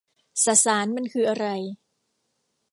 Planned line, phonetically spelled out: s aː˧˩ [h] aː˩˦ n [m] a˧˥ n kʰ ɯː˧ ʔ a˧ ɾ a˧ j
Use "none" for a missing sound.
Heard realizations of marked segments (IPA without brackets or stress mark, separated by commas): s, m